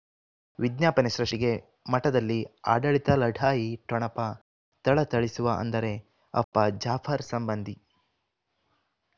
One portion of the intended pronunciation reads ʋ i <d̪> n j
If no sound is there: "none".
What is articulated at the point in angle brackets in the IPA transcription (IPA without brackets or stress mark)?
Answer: d̪